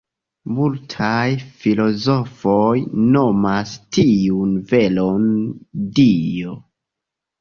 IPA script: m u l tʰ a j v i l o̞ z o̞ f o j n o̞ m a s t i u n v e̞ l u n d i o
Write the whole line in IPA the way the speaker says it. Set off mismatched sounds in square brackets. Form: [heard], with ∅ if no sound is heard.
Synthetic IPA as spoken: m u l tʰ a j [f] i l o̞ z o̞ f o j n o̞ m a s t i u n v e̞ l [o] n d i o